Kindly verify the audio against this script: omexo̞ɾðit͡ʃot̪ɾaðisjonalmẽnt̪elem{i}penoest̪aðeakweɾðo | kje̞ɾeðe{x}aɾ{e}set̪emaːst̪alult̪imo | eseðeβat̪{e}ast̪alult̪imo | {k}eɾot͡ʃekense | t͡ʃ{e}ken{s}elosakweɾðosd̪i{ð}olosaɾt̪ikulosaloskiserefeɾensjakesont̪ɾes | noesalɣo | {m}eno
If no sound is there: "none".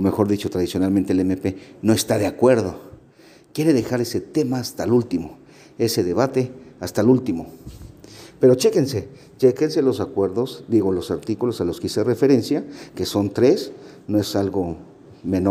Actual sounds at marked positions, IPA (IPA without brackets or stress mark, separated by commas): e, x, e, e, p, e, s, ɣ, m